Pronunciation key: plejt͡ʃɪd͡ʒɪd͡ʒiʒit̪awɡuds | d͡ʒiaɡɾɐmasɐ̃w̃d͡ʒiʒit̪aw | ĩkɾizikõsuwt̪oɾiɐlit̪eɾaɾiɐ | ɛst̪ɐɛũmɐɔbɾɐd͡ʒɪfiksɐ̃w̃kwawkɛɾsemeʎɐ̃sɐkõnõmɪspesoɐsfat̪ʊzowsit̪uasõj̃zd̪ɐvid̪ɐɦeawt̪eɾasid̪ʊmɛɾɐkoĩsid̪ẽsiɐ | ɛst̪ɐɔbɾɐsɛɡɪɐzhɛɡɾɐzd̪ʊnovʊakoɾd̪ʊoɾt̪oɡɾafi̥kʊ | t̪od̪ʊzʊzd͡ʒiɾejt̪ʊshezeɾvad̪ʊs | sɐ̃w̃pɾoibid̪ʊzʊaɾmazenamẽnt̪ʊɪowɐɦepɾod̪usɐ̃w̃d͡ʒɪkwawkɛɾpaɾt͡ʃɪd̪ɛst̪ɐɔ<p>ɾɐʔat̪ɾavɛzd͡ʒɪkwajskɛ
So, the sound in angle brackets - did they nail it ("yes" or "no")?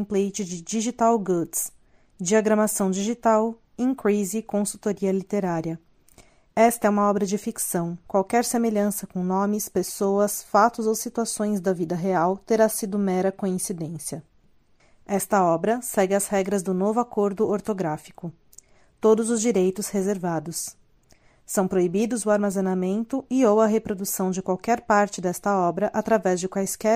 no